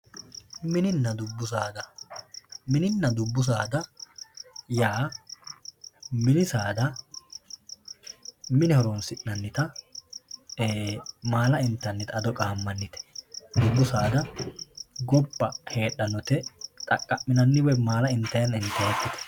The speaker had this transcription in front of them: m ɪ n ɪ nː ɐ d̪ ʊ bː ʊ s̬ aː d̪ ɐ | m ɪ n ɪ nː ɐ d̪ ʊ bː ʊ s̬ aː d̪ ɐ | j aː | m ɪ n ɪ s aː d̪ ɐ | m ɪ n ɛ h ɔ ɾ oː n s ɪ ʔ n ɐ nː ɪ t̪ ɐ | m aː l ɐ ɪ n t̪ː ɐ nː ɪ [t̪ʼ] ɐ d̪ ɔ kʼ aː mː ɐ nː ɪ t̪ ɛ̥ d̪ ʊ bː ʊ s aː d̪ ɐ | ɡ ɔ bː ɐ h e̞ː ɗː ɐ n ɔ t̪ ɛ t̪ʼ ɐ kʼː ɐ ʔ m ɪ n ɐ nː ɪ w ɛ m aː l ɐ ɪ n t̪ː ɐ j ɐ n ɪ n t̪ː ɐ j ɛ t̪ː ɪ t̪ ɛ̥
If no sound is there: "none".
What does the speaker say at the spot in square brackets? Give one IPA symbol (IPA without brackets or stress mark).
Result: t̪